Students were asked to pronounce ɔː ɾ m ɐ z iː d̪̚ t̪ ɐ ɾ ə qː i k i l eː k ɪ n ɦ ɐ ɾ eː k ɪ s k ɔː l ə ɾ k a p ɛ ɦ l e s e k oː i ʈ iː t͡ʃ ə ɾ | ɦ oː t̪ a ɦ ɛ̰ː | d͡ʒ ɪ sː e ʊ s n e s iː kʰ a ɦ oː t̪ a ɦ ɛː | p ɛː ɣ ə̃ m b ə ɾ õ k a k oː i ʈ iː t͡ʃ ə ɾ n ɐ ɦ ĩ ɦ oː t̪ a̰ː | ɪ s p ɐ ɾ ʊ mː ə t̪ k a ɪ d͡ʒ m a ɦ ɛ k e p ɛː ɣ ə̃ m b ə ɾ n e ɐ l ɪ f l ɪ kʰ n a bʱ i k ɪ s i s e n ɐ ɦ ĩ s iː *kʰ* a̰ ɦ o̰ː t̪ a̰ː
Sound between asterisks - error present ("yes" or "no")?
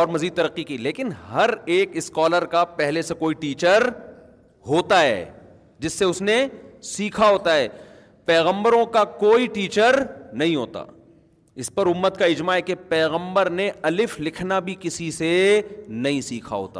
no